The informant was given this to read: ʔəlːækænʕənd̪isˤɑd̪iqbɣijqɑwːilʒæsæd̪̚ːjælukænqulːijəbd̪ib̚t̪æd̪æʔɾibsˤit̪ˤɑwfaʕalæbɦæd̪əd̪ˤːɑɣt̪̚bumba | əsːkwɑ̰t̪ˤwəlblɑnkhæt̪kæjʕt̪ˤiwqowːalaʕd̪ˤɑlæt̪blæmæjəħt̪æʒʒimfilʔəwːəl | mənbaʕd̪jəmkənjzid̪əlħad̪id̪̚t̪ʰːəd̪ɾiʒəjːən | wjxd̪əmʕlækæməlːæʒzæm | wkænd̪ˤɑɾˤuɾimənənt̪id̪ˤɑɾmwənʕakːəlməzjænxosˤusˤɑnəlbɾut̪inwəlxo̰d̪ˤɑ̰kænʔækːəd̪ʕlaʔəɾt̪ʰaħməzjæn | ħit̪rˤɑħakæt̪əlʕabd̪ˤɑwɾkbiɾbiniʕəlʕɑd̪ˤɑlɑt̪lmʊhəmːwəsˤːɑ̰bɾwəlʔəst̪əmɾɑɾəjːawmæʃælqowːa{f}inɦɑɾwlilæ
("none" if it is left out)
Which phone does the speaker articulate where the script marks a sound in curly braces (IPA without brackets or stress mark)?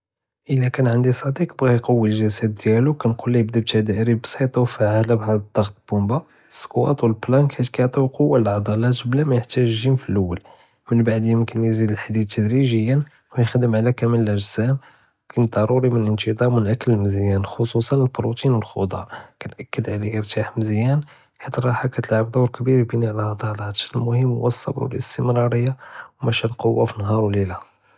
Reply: f